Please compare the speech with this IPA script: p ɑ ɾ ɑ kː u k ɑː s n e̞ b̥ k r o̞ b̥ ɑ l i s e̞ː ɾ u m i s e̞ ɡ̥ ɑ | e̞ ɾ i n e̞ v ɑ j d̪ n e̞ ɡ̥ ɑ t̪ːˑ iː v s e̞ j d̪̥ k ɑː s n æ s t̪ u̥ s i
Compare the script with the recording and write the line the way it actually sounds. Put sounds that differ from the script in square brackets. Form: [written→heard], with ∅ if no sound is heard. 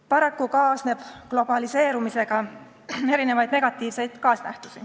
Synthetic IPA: p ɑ ɾ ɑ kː u k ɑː s n e̞ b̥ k [r→l] o̞ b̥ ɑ l i s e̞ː ɾ u m i s e̞ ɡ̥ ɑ | e̞ ɾ i n e̞ v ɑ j d̪ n e̞ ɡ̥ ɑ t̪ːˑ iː v s e̞ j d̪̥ k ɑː s n æ [s→h] t̪ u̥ s i